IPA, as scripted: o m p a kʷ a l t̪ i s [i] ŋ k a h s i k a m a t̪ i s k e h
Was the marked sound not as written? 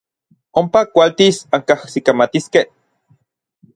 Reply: yes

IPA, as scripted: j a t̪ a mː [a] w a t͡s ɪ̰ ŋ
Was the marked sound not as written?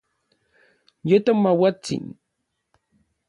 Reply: no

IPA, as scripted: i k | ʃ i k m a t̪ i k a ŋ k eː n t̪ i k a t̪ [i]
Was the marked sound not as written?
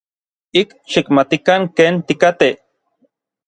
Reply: yes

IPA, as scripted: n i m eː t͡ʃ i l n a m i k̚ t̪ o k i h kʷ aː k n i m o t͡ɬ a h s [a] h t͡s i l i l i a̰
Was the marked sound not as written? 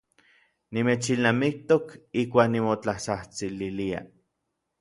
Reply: no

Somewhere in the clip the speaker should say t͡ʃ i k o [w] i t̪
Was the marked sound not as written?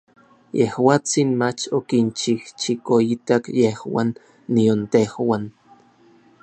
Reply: yes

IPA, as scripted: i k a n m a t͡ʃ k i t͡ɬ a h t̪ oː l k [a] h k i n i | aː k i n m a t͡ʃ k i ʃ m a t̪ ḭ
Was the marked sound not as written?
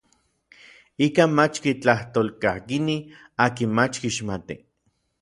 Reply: no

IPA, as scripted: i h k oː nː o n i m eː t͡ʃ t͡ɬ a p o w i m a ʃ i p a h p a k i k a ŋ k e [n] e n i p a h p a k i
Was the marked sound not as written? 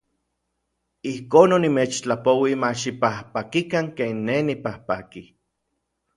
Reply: yes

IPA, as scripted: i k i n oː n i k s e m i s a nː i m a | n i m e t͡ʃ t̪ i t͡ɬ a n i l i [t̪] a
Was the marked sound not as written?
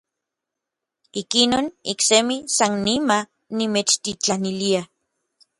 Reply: yes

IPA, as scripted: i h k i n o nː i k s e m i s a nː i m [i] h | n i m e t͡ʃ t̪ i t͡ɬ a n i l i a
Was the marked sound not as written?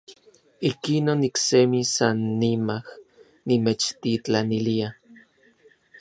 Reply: yes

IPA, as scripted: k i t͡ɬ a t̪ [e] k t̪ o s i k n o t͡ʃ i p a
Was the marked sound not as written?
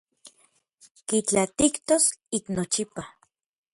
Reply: yes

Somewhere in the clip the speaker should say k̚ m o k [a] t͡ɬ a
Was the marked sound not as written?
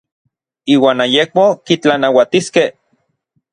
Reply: yes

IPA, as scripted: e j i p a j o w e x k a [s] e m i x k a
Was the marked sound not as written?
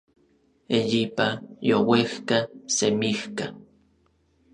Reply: no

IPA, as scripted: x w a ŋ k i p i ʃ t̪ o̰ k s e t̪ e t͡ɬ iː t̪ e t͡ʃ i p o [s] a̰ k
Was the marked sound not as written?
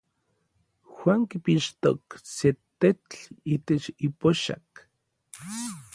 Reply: yes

